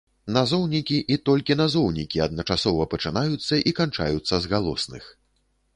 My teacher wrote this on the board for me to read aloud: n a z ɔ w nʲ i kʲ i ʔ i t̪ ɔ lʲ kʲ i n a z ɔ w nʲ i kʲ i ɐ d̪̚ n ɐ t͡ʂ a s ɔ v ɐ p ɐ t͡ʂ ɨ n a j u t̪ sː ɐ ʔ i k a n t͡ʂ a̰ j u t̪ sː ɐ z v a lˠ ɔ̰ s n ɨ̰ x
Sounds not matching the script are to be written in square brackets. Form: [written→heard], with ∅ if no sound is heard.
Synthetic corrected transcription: n a z ɔ w nʲ i kʲ i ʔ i t̪ ɔ lʲ kʲ i n a z ɔ w nʲ i kʲ i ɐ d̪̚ n ɐ t͡ʂ a s ɔ v ɐ p ɐ t͡ʂ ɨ n a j u t̪ sː ɐ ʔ i k a n t͡ʂ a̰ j u t̪ sː ɐ z [v→ɣ] a lˠ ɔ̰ s n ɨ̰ x